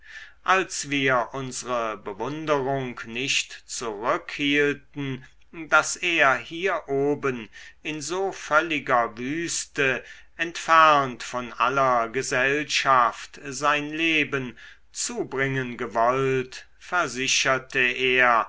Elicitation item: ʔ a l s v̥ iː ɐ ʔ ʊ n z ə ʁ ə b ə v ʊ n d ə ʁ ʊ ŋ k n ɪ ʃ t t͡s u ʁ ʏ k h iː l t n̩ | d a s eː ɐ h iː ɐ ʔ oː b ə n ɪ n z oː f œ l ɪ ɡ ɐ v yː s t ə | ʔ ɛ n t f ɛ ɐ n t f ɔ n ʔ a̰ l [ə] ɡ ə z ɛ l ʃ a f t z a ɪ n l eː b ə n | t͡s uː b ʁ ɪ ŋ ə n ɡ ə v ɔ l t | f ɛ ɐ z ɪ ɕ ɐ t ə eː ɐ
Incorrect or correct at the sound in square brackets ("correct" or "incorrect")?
incorrect